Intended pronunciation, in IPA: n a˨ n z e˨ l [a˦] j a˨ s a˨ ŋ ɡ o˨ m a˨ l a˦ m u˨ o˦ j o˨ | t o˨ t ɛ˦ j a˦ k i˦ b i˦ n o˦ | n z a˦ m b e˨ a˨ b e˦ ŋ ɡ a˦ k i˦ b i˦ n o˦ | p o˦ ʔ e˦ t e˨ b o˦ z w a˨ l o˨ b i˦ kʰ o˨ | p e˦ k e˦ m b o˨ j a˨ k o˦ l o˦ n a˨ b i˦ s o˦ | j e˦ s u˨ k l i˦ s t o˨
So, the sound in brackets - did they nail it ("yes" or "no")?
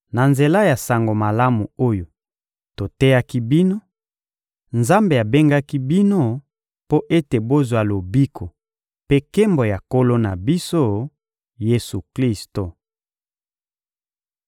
yes